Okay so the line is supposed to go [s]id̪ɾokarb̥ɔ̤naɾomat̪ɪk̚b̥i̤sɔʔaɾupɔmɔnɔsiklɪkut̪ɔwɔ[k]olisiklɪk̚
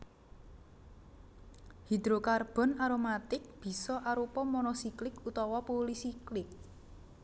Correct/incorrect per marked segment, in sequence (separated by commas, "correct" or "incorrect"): incorrect, incorrect